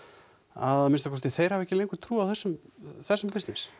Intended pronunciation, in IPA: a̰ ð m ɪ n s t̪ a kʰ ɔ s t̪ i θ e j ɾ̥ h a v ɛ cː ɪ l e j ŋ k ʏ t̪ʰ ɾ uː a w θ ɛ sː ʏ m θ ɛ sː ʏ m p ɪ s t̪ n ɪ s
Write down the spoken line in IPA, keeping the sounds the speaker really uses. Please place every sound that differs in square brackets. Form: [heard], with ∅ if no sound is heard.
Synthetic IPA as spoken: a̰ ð m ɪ n s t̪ a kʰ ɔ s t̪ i θ e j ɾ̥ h a v ɛ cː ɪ l e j ŋ k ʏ t̪ʰ ɾ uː a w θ ɛ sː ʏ m θ ɛ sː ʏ m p ɪ s t̪ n ɪ s